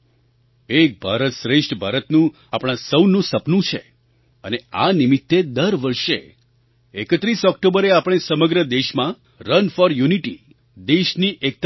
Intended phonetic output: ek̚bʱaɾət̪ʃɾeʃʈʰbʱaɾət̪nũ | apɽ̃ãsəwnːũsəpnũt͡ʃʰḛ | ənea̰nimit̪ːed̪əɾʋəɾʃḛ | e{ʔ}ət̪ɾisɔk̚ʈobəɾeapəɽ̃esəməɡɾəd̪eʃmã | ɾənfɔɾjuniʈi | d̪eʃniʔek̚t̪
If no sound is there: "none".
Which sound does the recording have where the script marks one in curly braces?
k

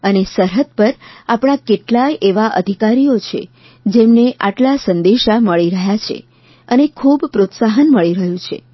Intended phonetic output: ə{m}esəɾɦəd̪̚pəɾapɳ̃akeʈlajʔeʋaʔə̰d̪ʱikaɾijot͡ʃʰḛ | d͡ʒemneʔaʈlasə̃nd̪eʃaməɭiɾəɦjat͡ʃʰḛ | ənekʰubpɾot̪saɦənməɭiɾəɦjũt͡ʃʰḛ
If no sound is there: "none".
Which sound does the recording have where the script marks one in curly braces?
n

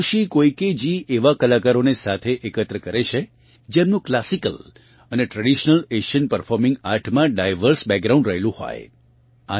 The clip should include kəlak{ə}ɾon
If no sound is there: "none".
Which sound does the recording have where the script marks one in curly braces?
a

